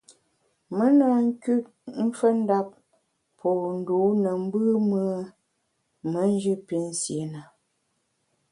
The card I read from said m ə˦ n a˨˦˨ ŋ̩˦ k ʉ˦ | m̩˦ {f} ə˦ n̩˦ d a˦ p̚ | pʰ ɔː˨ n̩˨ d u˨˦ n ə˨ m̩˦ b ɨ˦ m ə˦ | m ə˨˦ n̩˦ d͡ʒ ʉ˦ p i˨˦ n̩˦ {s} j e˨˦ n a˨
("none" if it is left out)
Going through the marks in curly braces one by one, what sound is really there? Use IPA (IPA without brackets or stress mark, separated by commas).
f, s